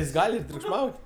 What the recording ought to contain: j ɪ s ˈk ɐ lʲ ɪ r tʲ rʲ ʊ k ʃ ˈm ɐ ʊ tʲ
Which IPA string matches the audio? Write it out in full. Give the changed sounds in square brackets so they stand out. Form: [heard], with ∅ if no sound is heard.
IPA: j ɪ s [ˈɡ] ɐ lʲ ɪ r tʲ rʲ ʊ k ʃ ˈm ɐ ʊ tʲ